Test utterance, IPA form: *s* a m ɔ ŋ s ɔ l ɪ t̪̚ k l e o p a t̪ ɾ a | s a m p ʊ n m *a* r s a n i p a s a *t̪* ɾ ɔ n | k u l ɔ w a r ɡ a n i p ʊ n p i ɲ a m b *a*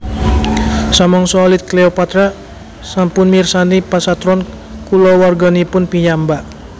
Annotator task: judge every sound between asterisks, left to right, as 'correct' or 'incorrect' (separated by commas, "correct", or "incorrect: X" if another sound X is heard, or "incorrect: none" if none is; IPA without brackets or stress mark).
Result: correct, incorrect: i, correct, correct